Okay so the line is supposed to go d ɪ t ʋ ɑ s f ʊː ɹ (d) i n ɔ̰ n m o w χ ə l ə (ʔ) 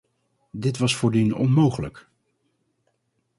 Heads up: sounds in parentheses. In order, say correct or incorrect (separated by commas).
correct, incorrect